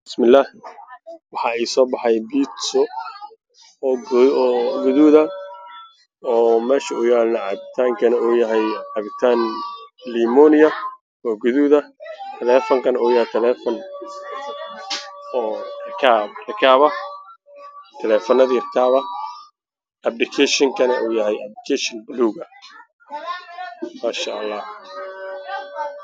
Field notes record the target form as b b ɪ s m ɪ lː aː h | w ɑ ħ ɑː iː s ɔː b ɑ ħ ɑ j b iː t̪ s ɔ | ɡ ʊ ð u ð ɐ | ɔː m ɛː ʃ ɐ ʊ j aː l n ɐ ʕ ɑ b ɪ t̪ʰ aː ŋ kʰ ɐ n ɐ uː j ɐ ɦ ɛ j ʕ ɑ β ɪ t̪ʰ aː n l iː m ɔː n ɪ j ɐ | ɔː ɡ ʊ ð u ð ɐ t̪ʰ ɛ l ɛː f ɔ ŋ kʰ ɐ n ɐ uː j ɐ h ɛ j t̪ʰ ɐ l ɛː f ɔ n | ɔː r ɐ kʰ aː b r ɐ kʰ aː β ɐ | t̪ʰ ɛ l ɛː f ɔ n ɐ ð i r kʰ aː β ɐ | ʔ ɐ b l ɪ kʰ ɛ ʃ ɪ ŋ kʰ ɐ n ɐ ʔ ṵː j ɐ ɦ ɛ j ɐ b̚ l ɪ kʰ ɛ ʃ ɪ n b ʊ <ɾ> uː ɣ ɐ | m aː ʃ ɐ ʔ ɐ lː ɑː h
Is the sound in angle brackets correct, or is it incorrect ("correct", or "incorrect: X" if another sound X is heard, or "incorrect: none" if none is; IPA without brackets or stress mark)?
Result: incorrect: l